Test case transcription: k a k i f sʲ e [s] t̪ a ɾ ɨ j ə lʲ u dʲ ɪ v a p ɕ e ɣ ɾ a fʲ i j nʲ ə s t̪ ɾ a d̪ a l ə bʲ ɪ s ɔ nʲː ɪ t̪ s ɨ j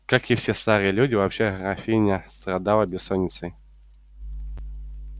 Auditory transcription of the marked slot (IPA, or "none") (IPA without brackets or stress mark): s